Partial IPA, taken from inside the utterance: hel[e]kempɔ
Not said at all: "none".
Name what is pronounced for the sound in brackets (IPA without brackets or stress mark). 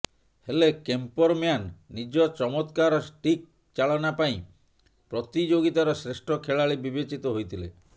e